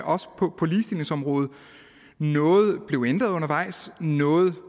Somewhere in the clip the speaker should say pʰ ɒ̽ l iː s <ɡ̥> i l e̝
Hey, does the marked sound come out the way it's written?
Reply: no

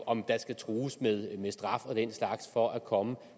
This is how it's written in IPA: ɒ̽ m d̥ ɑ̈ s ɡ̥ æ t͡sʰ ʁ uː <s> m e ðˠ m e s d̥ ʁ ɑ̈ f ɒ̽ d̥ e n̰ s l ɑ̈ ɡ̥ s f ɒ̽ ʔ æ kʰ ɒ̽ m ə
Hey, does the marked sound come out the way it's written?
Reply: yes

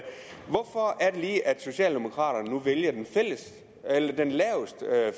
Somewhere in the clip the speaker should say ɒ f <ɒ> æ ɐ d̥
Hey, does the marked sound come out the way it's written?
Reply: yes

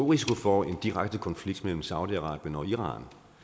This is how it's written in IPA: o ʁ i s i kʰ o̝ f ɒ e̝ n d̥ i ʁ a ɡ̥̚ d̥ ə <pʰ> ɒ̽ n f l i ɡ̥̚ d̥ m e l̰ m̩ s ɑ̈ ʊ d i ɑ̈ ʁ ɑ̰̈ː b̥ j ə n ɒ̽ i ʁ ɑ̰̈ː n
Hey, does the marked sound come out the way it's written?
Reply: no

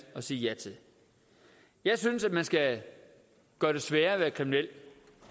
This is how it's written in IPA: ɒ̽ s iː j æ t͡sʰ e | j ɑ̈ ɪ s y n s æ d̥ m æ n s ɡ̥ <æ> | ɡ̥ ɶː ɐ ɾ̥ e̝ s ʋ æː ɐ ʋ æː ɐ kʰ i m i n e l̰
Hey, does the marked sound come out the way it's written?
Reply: yes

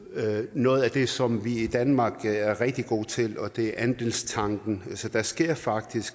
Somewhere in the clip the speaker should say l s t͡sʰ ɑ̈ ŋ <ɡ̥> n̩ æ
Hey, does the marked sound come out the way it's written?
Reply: yes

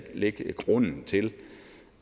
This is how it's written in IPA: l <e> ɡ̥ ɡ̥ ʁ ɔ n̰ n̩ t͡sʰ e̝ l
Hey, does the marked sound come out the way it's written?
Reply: yes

